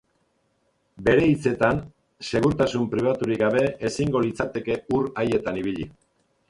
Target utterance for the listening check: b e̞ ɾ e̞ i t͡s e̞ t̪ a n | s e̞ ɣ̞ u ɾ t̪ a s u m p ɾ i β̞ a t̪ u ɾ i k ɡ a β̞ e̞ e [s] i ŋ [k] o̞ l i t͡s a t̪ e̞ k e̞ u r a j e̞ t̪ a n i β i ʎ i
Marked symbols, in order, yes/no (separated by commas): yes, no